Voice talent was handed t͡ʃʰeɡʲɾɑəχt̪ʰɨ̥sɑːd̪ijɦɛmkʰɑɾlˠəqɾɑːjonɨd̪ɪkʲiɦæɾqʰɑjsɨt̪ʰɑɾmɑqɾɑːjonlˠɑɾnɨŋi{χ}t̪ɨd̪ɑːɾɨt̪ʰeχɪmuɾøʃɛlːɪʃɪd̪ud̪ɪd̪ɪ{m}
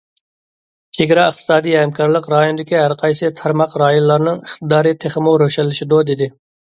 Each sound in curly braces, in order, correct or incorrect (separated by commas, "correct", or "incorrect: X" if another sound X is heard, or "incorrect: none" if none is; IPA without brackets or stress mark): correct, incorrect: none